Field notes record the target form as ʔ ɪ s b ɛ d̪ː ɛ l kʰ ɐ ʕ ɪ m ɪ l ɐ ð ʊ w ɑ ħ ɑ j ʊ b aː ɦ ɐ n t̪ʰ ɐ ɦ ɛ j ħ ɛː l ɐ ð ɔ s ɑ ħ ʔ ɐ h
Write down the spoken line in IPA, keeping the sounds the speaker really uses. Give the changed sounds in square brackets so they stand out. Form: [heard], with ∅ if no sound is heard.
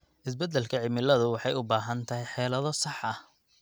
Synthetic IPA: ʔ ɪ s b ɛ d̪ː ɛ l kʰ ɐ ʕ ɪ m ɪ l ɐ ð ʊ w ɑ ħ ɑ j ʊ b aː ɦ ɐ n t̪ʰ ɐ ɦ ɛ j ħ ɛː l ɐ ð ɔ s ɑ ħ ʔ ɐ h